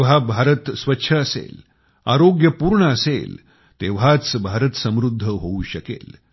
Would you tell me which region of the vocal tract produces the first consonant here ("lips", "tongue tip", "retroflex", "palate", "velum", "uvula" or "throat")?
lips